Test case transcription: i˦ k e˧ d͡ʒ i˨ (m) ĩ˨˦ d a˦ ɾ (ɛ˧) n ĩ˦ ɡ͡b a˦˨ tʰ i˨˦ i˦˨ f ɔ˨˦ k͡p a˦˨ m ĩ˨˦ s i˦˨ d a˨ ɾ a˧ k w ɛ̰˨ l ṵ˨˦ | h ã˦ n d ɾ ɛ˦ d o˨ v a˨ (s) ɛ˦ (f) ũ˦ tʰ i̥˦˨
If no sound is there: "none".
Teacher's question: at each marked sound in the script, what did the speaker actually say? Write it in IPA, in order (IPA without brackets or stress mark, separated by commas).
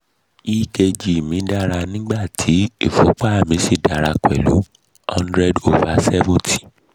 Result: m, a˧, s, v